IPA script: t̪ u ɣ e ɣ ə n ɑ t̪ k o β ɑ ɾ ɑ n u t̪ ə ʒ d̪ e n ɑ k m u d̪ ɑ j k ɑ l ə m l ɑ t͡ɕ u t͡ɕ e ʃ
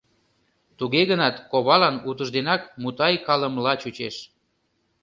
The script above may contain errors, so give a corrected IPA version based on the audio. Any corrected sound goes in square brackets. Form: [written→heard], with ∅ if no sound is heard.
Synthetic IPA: t̪ u ɣ e ɣ ə n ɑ t̪ k o β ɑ [ɾ→l] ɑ n u t̪ ə ʒ d̪ e n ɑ k m u [d̪→t̪] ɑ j k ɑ l ə m l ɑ t͡ɕ u t͡ɕ e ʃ